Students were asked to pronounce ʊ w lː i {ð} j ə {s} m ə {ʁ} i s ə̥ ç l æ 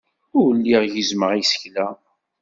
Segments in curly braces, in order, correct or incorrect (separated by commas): incorrect, incorrect, correct